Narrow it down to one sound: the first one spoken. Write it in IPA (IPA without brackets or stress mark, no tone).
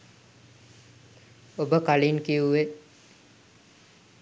o